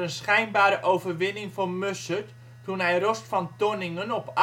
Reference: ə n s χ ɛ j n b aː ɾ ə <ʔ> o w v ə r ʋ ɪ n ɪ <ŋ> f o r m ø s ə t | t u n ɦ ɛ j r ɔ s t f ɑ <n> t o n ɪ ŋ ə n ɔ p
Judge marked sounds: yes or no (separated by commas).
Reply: yes, yes, yes